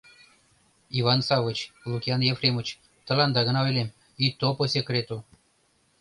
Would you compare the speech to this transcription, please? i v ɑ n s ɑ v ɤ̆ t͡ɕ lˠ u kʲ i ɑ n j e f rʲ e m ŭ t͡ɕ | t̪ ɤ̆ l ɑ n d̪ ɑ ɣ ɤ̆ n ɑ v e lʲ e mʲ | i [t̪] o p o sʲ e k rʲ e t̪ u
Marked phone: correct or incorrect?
correct